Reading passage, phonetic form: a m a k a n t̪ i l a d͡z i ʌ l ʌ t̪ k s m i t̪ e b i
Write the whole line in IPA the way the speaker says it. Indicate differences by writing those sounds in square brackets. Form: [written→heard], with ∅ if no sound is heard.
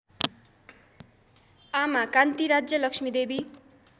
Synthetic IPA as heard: a m a k a n t̪ i [l→ɾ] a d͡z [i→j] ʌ l ʌ [t̪→∅] k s m i [t̪→d̪] e b i